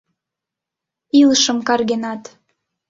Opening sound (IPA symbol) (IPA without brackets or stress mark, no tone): i